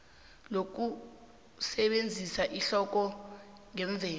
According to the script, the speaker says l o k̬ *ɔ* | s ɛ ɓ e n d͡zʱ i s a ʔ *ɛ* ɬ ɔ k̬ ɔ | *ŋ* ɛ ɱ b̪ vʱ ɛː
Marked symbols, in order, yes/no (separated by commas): no, no, yes